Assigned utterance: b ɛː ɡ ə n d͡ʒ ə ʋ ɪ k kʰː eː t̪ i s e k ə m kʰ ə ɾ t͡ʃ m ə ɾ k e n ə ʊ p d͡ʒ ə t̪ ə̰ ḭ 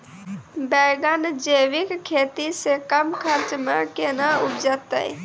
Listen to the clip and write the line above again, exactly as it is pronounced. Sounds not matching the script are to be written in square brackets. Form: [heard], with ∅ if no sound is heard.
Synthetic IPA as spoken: b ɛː ɡ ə n d͡ʒ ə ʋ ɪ k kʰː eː t̪ i s e k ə m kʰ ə ɾ t͡ʃ m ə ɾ k e n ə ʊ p d͡ʒ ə t̪ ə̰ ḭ